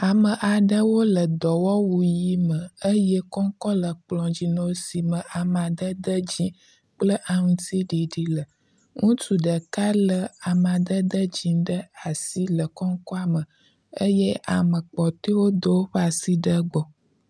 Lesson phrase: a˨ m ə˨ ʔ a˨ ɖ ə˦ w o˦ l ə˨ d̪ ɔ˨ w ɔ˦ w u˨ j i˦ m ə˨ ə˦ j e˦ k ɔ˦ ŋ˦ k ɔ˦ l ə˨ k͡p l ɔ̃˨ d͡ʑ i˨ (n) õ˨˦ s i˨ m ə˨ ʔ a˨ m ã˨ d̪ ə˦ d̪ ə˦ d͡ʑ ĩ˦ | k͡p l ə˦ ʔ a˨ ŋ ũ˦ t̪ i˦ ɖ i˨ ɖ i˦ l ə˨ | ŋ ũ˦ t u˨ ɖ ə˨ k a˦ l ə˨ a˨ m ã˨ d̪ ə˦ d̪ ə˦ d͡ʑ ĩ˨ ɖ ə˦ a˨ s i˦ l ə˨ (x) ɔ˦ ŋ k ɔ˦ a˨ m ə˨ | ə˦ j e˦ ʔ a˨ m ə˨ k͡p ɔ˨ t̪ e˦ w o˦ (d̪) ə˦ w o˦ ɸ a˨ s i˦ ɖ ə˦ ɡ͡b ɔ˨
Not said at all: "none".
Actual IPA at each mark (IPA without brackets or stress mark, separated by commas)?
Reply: n, k, d̪